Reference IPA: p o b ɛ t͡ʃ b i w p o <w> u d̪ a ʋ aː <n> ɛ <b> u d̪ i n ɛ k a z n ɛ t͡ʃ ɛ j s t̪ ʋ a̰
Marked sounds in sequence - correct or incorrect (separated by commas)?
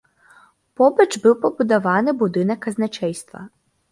incorrect, correct, correct